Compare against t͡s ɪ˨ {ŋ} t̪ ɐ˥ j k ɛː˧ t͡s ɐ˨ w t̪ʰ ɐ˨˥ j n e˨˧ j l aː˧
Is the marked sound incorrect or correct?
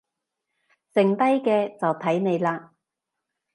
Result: correct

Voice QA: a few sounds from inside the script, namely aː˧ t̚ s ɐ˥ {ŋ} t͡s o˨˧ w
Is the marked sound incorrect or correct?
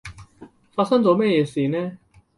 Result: correct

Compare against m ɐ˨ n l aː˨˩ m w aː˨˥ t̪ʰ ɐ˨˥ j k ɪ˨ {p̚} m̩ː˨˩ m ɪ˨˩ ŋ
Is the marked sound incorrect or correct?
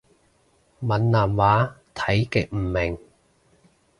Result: incorrect: k̚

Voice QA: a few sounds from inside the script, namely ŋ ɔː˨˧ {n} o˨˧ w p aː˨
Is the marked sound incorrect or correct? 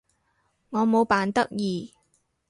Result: incorrect: m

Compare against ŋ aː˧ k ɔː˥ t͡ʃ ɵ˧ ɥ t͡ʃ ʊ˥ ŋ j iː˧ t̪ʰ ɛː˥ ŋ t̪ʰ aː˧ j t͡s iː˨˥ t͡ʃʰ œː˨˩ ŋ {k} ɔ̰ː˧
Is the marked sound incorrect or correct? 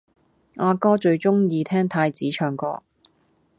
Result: correct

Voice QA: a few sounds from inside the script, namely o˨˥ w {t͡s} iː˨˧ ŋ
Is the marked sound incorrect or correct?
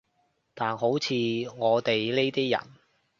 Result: incorrect: t͡sʰ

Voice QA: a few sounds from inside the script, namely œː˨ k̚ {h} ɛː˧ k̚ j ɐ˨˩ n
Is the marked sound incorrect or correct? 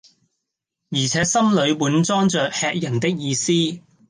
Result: correct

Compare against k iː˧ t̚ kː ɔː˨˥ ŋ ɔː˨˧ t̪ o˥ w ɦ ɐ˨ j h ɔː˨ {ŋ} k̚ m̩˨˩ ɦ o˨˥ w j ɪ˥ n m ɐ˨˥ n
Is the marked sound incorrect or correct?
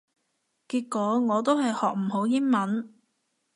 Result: incorrect: none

